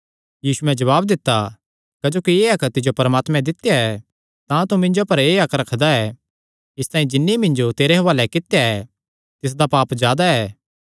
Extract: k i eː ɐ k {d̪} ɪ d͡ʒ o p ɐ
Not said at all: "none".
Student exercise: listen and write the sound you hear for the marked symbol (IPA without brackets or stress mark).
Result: t̪